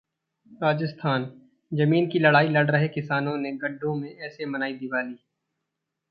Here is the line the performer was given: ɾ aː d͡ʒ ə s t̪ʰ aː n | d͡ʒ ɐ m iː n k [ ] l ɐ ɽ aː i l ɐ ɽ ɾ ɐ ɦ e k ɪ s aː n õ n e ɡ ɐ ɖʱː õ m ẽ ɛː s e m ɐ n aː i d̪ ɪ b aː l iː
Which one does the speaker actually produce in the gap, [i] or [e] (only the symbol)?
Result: i